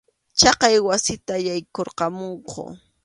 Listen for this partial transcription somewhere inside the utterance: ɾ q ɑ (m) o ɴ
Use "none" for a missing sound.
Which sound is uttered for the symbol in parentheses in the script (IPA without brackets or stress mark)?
m